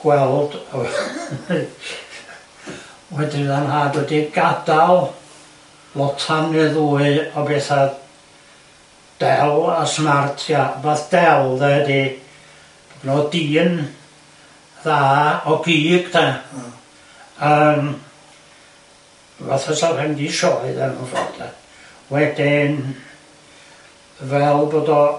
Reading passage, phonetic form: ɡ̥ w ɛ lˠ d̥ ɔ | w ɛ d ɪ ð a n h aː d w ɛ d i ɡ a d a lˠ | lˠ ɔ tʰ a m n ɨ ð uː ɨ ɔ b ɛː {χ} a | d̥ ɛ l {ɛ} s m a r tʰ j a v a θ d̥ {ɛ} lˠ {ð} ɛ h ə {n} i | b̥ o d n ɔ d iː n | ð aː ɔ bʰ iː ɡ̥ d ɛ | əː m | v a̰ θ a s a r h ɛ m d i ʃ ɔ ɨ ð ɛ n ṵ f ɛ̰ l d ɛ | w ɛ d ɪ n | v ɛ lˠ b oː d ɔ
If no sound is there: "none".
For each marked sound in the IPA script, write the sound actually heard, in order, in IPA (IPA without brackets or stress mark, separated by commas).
θ, a, ɛ, ð, d